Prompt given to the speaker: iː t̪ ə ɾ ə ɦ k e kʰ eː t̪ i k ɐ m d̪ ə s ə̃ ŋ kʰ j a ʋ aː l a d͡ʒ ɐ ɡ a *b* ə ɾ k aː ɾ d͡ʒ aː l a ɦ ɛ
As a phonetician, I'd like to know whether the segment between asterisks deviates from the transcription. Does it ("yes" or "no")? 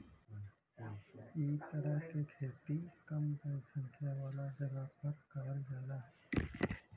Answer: yes